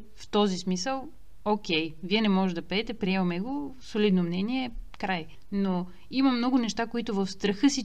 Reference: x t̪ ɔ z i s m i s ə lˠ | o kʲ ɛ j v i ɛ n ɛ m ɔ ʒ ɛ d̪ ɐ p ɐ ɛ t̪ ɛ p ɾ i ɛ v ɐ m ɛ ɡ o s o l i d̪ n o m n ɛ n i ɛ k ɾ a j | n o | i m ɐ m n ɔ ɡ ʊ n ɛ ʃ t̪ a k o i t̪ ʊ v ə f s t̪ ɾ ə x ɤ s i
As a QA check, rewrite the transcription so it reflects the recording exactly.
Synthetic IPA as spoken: f t̪ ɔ z i s m i s ə lˠ | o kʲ ɛ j v i ɛ n ɛ m ɔ ʒ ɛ d̪ ɐ p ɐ ɛ t̪ ɛ p ɾ i ɛ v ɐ m ɛ ɡ o s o l i d̪ n o m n ɛ n i ɛ k ɾ a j | n o | i m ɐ m n ɔ ɡ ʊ n ɛ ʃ t̪ a k o i t̪ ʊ v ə f s t̪ ɾ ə x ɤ s i